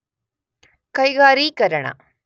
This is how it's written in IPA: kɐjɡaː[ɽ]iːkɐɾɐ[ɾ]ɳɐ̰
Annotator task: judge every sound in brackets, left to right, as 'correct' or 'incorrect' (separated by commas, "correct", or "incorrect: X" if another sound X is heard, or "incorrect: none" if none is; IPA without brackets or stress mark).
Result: incorrect: ɾ, incorrect: none